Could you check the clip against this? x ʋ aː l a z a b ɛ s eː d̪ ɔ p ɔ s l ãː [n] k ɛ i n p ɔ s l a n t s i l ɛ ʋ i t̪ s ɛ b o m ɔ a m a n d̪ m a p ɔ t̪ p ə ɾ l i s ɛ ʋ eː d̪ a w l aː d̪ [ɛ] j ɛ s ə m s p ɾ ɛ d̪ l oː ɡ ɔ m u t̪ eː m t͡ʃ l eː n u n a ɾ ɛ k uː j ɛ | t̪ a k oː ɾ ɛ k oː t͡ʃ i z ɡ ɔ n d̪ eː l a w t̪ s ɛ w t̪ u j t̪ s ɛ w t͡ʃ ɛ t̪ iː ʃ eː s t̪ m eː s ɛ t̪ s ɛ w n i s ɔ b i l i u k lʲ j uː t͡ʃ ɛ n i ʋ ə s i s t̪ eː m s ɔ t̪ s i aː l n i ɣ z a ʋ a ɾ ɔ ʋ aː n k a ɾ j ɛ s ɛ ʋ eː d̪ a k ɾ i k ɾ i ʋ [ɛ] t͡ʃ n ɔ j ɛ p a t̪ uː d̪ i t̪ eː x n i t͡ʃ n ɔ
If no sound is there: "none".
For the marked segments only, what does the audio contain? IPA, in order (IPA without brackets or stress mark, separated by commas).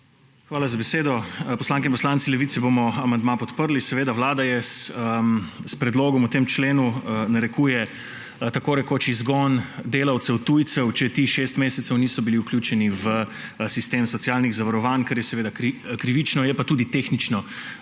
ŋ, a, i